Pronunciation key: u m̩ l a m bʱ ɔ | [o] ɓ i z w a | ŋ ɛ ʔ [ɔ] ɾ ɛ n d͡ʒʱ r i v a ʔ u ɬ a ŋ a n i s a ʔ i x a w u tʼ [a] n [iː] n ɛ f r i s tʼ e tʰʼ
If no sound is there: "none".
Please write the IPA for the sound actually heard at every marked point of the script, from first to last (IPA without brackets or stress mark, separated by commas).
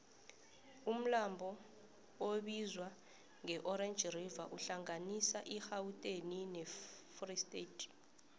o, ɔ, e, i